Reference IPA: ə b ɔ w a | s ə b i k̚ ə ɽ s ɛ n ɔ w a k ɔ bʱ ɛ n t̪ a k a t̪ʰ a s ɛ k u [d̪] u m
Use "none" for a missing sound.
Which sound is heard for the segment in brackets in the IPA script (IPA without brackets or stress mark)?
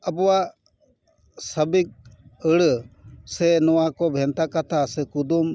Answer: d̪